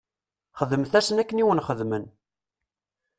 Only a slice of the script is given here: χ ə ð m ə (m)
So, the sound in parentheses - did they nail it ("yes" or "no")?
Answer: no